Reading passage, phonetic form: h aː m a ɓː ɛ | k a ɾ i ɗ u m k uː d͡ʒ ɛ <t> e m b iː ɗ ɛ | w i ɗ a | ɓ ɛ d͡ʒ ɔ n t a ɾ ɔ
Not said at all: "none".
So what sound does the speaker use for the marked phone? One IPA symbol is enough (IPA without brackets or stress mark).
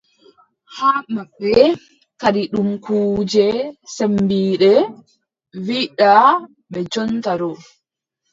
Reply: s